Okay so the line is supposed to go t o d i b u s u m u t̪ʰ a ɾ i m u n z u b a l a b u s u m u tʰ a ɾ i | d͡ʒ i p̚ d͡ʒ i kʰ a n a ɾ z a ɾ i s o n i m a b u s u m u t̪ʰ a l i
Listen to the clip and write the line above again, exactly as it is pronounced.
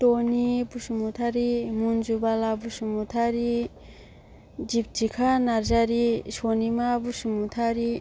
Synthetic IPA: t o n i b u s u m u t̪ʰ a ɾ i m u n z u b a l a b u s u m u tʰ a ɾ i | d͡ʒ i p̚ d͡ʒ i kʰ a n a ɾ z a ɾ i s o n i m a b u s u m u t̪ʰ a ɾ i